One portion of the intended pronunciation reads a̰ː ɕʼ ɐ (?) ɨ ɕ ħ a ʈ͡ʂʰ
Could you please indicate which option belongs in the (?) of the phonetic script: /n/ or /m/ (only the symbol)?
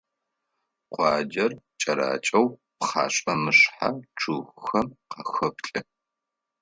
m